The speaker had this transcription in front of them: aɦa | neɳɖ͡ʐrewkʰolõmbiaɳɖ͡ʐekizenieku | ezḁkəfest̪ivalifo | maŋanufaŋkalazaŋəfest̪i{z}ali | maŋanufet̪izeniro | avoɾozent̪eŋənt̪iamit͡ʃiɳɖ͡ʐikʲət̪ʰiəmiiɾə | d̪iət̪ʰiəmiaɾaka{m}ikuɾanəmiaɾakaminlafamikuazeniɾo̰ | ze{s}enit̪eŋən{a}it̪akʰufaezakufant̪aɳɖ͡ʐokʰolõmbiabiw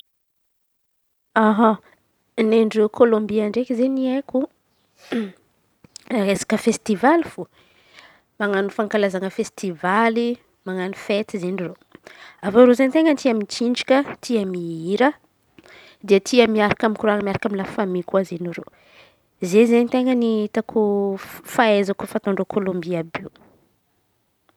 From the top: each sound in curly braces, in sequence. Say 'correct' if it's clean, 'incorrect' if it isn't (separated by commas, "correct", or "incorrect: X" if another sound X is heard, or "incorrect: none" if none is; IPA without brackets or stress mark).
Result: incorrect: v, correct, incorrect: z, incorrect: i